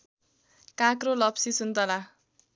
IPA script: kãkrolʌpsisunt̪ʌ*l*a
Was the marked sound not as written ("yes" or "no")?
no